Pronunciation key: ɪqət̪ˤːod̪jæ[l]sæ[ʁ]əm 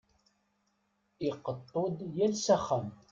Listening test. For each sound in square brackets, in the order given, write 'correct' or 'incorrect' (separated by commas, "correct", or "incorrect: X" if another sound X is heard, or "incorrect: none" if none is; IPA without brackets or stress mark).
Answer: correct, incorrect: χ